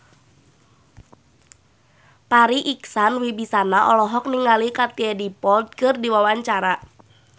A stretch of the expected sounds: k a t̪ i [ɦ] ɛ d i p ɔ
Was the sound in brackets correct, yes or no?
no